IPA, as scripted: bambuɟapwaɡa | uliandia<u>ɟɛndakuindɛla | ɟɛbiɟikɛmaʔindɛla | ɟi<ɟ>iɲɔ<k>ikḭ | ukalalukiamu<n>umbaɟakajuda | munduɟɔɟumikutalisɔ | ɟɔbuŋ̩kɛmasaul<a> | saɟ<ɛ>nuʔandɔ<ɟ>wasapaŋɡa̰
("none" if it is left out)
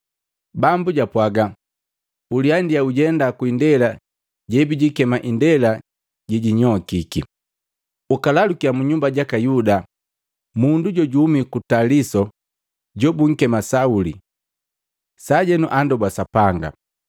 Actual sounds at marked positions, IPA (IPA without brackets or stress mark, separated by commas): u, ɟ, k, ɲ, i, ɛ, b